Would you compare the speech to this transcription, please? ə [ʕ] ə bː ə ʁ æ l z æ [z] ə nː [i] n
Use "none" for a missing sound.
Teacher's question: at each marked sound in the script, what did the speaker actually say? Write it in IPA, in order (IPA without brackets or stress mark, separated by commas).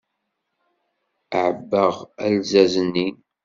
ʕ, z, i